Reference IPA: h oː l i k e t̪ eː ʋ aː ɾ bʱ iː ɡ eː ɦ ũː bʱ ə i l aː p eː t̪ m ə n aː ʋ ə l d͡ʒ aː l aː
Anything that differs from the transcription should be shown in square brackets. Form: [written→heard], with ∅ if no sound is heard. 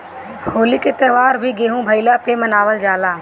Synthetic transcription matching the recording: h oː l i k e t̪ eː ʋ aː ɾ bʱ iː ɡ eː ɦ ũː bʱ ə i l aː p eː [t̪→∅] m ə n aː ʋ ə l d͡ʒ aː l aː

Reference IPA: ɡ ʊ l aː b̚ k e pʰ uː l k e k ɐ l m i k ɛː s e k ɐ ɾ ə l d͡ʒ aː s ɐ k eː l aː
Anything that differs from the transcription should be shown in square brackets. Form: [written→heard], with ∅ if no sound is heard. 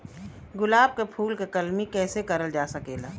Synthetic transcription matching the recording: ɡ ʊ l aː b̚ k e pʰ uː l k e k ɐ l m i k ɛː s e k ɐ ɾ ə l d͡ʒ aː s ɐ k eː l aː

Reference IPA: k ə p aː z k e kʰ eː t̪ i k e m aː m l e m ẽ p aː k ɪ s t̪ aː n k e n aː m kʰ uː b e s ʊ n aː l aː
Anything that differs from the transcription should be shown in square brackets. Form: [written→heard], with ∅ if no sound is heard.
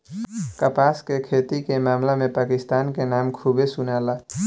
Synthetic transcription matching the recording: k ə p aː [z→s] k e kʰ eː t̪ i k e m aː m l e m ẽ p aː k ɪ s t̪ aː n k e n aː m kʰ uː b e s ʊ n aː l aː

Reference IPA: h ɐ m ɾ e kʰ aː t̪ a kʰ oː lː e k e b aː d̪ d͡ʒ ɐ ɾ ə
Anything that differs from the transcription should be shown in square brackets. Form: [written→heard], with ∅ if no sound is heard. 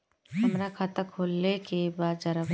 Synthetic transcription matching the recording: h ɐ m ɾ [e→a] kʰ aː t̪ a kʰ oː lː e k e b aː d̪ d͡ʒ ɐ ɾ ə

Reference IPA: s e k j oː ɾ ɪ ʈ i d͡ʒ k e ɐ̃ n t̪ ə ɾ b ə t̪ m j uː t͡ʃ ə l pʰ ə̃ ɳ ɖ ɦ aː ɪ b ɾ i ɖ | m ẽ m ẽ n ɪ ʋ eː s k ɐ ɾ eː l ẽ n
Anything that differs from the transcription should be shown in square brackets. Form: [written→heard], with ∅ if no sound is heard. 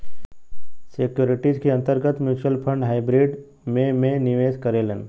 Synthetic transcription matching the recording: s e k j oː ɾ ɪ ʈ i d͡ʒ k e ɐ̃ n t̪ ə ɾ [b→ɡ] ə t̪ m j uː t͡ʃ ə l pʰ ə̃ ɳ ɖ ɦ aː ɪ b ɾ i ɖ | m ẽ m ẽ n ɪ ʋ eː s k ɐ ɾ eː l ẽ n

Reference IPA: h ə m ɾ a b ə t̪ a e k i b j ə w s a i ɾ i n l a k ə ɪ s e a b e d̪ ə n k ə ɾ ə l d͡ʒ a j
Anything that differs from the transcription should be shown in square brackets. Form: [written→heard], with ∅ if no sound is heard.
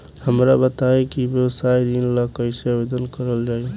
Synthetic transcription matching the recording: h ə m ɾ a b ə t̪ a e k i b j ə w s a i ɾ i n l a k ə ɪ s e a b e d̪ ə n k ə ɾ ə l d͡ʒ a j

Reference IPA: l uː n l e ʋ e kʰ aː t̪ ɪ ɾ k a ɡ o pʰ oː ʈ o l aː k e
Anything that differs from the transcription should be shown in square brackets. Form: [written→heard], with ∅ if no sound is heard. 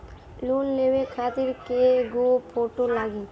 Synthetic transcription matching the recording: l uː n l e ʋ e kʰ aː t̪ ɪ ɾ k [a→e] ɡ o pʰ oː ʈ o l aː [k→ɡ] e

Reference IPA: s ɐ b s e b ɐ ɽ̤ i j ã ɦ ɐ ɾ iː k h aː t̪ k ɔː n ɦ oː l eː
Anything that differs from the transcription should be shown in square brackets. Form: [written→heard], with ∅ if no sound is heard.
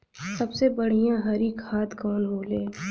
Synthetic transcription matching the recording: s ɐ b s e b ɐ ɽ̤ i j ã ɦ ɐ ɾ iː k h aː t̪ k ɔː n ɦ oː l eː

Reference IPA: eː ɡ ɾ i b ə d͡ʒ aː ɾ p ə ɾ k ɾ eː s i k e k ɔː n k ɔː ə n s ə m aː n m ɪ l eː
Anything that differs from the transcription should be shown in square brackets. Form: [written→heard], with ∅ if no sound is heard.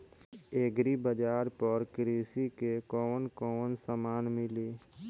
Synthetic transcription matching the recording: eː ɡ ɾ i b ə d͡ʒ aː ɾ p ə ɾ k ɾ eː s i k e k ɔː n k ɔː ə n s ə m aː n m ɪ l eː

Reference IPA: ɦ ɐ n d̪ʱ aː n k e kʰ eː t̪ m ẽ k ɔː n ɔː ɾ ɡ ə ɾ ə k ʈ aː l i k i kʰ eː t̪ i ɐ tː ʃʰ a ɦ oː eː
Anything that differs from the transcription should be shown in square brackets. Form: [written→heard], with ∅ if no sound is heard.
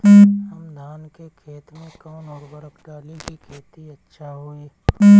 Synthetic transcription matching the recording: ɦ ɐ [n→m] d̪ʱ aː n k e kʰ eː t̪ m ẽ k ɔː n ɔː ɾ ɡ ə ɾ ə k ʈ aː l i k i kʰ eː t̪ i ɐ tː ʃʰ a ɦ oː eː

